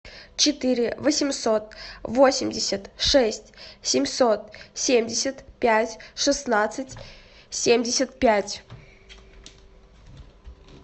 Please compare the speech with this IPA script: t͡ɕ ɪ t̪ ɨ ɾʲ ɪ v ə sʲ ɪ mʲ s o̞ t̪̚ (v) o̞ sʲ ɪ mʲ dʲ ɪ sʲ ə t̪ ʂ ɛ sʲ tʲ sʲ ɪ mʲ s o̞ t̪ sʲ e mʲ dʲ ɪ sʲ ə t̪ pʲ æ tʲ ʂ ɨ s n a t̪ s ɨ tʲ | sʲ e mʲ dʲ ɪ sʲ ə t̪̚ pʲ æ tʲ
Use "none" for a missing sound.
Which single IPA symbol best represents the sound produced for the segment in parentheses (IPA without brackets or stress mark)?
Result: v